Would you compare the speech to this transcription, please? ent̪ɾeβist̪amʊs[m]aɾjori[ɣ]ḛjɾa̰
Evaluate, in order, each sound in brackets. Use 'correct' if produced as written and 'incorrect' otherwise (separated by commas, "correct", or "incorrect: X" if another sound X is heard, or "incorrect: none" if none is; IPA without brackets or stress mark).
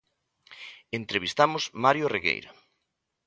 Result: correct, correct